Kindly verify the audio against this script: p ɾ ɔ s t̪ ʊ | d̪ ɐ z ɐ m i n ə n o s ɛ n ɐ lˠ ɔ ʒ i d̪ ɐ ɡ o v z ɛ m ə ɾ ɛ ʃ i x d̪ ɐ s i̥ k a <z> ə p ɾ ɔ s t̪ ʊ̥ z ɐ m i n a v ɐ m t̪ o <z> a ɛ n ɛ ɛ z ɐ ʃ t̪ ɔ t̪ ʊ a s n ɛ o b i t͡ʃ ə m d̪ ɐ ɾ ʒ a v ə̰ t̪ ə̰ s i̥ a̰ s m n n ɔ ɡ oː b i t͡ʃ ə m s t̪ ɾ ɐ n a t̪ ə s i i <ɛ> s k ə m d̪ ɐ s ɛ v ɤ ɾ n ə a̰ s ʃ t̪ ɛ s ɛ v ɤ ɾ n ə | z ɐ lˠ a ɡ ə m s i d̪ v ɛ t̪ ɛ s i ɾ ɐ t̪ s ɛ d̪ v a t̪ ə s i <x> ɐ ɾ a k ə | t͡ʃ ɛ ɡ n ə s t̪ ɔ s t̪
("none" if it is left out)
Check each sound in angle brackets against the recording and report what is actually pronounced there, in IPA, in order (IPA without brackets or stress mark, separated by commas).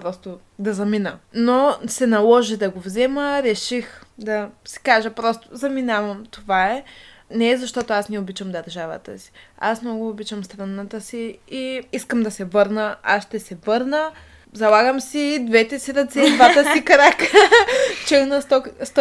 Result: ʒ, v, i, k